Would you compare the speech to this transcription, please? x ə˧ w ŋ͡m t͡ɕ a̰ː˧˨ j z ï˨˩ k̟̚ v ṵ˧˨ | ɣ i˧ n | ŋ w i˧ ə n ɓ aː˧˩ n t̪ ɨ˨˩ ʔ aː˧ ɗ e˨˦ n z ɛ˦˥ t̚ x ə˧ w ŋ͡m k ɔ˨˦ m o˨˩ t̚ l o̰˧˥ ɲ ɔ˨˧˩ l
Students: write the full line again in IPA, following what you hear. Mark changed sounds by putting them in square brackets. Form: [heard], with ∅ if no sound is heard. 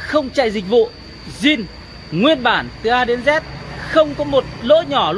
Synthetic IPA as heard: x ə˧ w ŋ͡m t͡ɕ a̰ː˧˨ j z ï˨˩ k̟̚ v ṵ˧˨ | [z] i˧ n | ŋ w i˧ ə n ɓ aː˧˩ n t̪ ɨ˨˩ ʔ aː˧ ɗ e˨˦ n z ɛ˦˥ t̚ x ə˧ w ŋ͡m k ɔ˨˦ m o˨˩ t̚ l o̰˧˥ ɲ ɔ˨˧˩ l